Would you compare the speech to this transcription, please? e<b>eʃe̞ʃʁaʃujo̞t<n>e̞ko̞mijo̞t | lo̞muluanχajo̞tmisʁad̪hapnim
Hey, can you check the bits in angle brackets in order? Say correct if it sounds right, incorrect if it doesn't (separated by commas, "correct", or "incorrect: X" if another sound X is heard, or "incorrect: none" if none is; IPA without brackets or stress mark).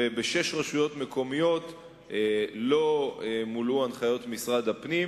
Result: correct, incorrect: m